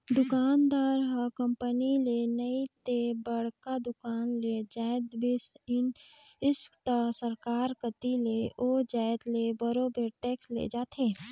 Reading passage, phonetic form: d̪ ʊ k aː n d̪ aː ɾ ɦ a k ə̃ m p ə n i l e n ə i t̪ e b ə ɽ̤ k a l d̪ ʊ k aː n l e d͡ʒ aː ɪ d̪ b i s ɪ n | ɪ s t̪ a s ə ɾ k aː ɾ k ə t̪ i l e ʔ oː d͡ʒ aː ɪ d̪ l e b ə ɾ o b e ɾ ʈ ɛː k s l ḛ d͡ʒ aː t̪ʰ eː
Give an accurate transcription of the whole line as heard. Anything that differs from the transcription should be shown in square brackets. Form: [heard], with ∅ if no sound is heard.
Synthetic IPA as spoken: d̪ ʊ k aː n d̪ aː ɾ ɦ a k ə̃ m p ə n i l e n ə i t̪ e b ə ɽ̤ k a [∅] d̪ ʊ k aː n l e d͡ʒ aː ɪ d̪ b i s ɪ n | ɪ s t̪ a s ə ɾ k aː ɾ k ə t̪ i l e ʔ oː d͡ʒ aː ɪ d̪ l e b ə ɾ o b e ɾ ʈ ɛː k s l ḛ d͡ʒ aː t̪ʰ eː